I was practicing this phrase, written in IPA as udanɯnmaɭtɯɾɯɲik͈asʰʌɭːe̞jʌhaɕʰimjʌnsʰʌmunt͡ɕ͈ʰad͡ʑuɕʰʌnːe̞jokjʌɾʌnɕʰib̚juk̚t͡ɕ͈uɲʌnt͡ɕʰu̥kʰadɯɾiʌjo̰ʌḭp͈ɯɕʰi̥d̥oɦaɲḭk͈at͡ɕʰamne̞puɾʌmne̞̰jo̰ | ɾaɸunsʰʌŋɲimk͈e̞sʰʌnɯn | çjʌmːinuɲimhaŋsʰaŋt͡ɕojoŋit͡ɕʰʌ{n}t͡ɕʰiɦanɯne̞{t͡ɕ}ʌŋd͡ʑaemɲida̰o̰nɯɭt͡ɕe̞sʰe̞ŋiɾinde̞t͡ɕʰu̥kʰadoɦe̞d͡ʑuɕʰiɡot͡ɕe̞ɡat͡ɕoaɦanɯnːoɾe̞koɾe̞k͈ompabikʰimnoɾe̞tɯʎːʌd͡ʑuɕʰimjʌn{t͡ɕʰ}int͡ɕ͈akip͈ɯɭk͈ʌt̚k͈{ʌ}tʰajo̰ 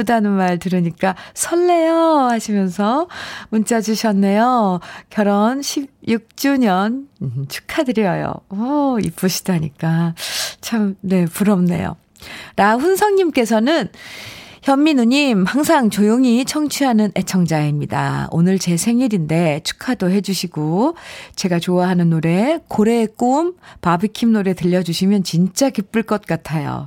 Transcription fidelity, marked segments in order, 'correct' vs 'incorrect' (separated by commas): incorrect, incorrect, incorrect, incorrect